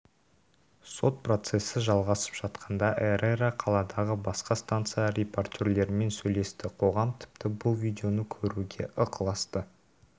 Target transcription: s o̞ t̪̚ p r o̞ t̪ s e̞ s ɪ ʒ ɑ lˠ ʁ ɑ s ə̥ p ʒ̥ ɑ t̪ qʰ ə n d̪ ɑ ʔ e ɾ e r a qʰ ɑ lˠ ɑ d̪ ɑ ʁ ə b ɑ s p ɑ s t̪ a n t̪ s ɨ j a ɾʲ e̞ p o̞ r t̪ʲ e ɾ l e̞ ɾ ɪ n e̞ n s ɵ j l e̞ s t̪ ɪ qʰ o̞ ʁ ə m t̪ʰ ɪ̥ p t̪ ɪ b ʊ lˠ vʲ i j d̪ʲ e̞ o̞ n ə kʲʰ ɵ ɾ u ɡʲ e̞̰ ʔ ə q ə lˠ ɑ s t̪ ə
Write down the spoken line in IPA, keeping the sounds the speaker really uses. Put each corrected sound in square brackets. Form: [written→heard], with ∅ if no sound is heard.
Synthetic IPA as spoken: s o̞ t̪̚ p r o̞ t̪ s e̞ s ɪ ʒ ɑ lˠ ʁ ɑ s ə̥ p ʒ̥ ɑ t̪ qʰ [ə→ɑ] n d̪ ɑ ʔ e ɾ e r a qʰ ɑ lˠ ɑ d̪ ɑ ʁ ə b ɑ s [p→q] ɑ s t̪ a n t̪ s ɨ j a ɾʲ e̞ p o̞ r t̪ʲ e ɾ l e̞ ɾ ɪ [n→m] e̞ n s ɵ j l e̞ s t̪ ɪ qʰ o̞ ʁ [ə→ɑ] m t̪ʰ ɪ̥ p t̪ ɪ b ʊ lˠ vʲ i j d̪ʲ e̞ o̞ n ə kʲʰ ɵ ɾ u ɡʲ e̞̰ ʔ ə q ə lˠ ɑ s t̪ ə